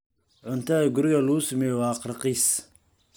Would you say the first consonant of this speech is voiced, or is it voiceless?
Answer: voiced